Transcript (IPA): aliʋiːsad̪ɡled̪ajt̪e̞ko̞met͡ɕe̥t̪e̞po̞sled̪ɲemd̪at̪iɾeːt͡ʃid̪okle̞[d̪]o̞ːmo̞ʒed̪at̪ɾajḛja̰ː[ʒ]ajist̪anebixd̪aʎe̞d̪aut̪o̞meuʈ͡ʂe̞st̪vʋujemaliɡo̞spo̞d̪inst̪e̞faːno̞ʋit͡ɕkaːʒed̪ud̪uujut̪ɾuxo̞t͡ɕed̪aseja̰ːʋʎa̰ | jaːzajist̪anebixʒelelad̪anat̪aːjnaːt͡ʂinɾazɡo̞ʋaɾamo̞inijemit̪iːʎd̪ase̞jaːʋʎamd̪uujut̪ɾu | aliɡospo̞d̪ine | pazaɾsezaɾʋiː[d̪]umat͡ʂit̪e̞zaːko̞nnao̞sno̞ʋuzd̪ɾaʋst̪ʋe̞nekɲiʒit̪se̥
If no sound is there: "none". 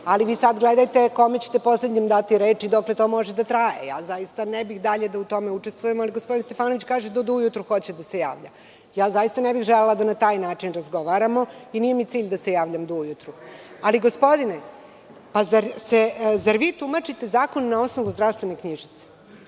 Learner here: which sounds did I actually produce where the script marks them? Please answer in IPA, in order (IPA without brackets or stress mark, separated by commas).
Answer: t̪, z, t̪